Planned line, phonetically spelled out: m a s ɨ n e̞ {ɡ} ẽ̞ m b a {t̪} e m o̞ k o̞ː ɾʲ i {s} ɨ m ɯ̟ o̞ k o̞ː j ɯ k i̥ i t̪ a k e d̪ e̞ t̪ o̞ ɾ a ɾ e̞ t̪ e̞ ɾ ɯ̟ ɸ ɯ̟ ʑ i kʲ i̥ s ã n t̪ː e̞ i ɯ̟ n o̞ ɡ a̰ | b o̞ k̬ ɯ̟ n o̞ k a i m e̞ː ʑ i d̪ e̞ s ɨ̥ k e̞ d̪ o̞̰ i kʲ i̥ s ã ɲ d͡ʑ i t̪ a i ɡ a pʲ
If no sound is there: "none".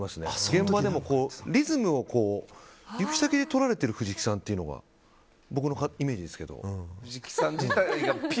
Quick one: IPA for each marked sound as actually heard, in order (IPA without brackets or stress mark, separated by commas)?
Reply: ɡ, d̪, z